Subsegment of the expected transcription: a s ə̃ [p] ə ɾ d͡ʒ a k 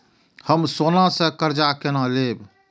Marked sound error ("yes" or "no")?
yes